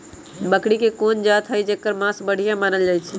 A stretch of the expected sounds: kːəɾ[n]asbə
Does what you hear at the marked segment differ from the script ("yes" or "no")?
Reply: yes